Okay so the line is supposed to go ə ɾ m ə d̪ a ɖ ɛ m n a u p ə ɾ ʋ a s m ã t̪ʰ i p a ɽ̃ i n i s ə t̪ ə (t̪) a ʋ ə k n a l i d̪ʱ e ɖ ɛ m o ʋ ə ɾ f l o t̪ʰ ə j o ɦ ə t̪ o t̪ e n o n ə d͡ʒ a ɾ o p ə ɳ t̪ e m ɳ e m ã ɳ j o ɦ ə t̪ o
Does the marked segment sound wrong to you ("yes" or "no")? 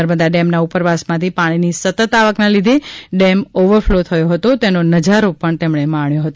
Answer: no